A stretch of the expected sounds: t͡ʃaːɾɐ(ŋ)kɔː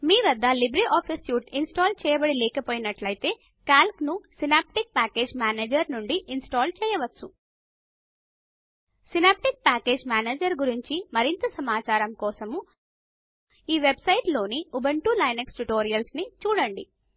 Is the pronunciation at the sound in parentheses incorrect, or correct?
incorrect